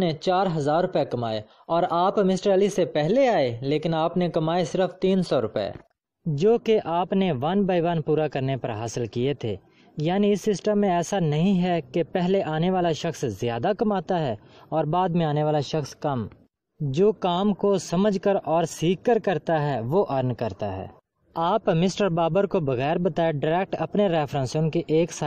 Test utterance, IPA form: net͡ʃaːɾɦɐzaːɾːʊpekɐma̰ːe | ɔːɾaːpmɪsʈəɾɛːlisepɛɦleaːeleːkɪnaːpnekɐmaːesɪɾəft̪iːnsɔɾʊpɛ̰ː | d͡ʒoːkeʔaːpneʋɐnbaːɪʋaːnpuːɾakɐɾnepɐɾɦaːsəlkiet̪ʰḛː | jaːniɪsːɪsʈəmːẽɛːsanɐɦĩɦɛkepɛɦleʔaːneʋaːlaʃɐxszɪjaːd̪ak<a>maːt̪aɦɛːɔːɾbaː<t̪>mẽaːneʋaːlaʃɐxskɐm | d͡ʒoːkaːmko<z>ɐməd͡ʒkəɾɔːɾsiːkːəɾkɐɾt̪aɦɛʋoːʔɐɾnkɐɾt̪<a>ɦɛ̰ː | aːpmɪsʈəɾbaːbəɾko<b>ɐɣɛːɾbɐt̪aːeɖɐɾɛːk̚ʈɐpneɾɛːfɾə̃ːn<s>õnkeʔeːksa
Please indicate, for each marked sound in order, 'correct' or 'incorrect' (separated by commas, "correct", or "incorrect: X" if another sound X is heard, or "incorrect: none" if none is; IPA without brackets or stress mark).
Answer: incorrect: ɐ, incorrect: d̪, incorrect: s, correct, correct, correct